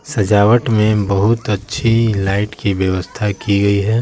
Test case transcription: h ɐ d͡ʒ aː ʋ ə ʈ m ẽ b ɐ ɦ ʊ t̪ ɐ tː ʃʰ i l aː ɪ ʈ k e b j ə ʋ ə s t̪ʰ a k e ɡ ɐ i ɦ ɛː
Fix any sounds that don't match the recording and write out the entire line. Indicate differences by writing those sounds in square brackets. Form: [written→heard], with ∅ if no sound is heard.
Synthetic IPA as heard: [h→s] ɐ d͡ʒ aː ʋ ə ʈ m ẽ b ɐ ɦ ʊ t̪ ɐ tː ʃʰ i l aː ɪ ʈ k [e→i] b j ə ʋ ə s t̪ʰ a k [e→i] ɡ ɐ i ɦ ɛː

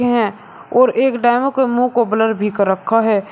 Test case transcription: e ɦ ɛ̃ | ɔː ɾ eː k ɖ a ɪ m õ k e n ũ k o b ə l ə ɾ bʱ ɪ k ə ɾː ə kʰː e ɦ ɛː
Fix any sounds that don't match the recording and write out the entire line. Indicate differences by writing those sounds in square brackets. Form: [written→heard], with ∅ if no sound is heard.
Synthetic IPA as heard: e ɦ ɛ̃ | ɔː ɾ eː k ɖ a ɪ m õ k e [n→m] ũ k o b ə l ə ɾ bʱ [ɪ→i] k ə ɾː ə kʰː [e→a] ɦ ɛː

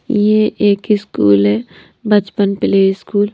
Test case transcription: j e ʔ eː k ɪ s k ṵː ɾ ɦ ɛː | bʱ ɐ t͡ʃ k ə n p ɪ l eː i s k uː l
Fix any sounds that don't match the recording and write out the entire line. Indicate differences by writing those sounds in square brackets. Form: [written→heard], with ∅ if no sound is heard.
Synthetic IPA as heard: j e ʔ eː k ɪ s k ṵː [ɾ→l] ɦ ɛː | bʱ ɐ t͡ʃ [k→p] ə n p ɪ l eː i s k uː l

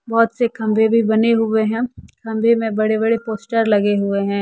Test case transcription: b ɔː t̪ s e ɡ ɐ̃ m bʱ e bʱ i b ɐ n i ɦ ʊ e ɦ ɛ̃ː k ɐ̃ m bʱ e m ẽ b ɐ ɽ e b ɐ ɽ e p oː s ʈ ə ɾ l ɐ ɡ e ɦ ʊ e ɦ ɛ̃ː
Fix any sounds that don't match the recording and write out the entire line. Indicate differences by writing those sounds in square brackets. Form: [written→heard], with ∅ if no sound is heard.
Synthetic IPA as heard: b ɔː t̪ s e [ɡ→k] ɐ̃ m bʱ e bʱ i b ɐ n [i→e] ɦ ʊ e ɦ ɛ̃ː k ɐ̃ m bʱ e m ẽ b ɐ ɽ e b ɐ ɽ e p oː s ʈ ə ɾ l ɐ ɡ e ɦ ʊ e ɦ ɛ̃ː

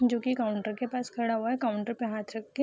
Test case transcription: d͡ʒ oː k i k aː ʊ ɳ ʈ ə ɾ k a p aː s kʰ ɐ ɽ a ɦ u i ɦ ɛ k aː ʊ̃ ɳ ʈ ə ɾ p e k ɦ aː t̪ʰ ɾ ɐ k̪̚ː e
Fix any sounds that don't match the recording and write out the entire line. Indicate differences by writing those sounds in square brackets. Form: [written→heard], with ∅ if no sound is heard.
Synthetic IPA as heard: d͡ʒ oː k i k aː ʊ ɳ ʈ ə ɾ k [a→e] p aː s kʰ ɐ ɽ a ɦ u [i→a] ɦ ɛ k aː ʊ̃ ɳ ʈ ə ɾ p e [k→∅] ɦ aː t̪ʰ ɾ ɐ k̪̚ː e

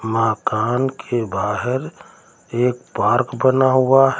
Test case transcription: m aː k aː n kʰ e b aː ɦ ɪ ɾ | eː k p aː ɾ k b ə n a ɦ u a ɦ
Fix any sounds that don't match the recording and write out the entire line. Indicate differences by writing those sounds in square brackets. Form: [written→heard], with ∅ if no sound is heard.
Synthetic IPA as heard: m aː k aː n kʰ e b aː ɦ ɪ ɾ | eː k p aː ɾ k b ə n a ɦ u a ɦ

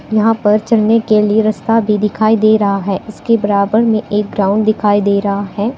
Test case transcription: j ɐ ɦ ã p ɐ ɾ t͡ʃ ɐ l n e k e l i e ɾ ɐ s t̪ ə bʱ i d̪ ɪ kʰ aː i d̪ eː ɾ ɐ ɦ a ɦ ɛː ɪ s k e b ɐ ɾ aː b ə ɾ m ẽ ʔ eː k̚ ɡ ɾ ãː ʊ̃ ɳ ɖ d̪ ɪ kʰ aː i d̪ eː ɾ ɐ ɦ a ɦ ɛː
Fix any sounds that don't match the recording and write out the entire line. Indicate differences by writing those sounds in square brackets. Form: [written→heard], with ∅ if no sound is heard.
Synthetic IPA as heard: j ɐ ɦ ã p ɐ ɾ t͡ʃ ɐ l n e k e l i e ɾ ɐ s t̪ [ə→a] bʱ i d̪ ɪ kʰ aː i d̪ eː ɾ ɐ ɦ a ɦ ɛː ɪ s k e b ɐ ɾ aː b ə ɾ m ẽ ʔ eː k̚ ɡ ɾ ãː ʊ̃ ɳ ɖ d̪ ɪ kʰ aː i d̪ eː ɾ ɐ ɦ a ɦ ɛː

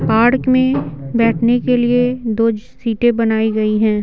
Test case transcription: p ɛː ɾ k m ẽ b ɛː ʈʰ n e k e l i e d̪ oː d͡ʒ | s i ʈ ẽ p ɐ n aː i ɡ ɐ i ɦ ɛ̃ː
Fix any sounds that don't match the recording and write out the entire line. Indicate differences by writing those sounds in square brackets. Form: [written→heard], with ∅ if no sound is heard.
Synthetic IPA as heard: p [ɛː→aː] ɾ k m ẽ b ɛː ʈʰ n e k e l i e d̪ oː d͡ʒ | s [i→iː] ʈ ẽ [p→b] ɐ n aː i ɡ ɐ i ɦ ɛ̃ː

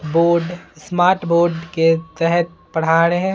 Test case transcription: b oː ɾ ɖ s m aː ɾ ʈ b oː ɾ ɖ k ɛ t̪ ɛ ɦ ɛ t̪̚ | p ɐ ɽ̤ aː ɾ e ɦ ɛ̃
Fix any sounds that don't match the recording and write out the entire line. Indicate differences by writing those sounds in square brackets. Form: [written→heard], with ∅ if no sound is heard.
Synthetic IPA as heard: b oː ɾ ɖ s m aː ɾ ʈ b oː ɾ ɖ k [ɛ→e] t̪ ɛ ɦ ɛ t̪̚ | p ɐ ɽ̤ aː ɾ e ɦ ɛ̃

